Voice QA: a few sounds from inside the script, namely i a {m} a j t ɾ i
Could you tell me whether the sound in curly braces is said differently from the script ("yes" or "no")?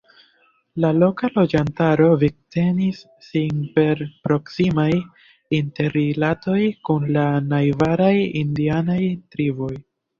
yes